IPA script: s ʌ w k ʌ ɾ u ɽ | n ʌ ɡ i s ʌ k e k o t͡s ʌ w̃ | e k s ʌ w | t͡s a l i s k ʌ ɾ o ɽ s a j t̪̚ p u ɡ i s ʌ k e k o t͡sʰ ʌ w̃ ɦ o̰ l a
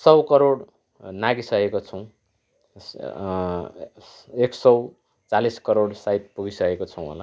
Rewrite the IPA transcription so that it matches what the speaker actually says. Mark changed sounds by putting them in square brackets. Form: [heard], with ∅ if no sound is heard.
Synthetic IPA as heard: s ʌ w k ʌ ɾ [o] ɽ | n [a] ɡ i s ʌ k e k o [t͡sʰ] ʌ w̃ | e k s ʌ w | t͡s a l i s k ʌ ɾ o ɽ s a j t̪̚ p u ɡ i s ʌ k e k o t͡sʰ ʌ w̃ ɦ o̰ l a